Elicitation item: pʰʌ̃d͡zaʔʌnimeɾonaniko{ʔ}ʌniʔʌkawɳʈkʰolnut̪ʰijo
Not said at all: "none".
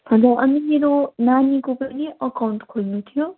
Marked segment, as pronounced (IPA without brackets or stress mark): p